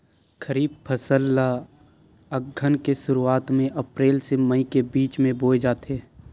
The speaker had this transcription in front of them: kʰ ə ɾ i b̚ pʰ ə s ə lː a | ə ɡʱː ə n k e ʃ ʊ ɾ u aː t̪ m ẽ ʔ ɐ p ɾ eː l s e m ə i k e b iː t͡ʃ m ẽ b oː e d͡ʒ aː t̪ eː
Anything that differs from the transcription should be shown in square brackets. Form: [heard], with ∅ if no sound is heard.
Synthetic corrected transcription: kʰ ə ɾ [iː] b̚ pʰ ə s ə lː a | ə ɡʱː ə n k e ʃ ʊ ɾ u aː t̪ m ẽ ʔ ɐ p ɾ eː l s e m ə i k e b iː t͡ʃ m ẽ b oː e d͡ʒ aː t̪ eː